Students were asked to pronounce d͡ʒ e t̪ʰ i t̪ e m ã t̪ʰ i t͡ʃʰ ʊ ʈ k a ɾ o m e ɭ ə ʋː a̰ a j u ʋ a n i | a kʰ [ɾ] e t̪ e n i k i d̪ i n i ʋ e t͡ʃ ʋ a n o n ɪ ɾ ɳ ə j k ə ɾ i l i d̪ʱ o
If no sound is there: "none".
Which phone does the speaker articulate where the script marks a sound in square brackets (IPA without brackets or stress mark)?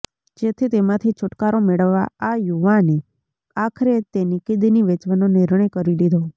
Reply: ɾ